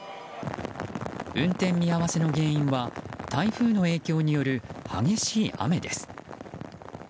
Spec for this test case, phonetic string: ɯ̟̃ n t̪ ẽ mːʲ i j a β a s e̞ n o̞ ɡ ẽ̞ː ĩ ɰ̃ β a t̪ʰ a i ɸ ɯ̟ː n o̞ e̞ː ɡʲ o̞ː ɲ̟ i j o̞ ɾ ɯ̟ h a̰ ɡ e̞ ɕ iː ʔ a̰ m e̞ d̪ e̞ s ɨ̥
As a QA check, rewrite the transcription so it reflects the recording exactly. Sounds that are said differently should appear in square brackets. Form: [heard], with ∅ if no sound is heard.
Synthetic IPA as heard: ɯ̟̃ n t̪ ẽ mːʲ i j a β a s e̞ n o̞ ɡ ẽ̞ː ĩ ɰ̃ β a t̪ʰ a i ɸ ɯ̟ː n o̞ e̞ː [kʲ] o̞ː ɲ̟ i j o̞ ɾ ɯ̟ h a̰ ɡ e̞ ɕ iː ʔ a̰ m e̞ d̪ e̞ s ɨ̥